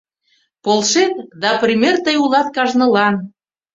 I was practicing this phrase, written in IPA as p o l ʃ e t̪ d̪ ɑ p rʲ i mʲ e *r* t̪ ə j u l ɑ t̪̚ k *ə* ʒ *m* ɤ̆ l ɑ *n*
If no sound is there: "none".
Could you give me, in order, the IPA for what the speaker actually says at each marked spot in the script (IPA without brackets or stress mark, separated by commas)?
r, ɑ, n, n